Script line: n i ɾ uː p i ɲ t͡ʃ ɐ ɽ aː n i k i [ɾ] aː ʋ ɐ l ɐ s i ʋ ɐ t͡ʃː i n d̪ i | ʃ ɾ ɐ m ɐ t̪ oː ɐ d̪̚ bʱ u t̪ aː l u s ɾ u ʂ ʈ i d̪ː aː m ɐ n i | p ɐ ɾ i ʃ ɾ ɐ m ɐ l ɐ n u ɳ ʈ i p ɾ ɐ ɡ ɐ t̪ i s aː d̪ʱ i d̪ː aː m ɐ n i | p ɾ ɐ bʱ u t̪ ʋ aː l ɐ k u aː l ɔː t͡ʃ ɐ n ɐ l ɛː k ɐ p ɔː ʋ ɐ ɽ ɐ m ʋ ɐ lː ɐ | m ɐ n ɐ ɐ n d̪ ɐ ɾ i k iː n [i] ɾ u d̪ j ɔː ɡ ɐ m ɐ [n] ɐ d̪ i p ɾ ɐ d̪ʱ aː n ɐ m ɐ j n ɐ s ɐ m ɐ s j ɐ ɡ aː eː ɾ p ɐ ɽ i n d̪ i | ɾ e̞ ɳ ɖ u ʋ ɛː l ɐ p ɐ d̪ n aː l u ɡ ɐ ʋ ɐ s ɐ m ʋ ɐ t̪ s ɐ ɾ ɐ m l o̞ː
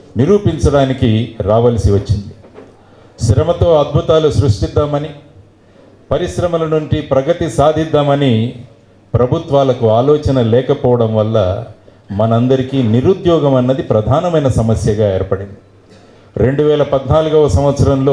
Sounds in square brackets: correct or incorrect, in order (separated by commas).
correct, correct, incorrect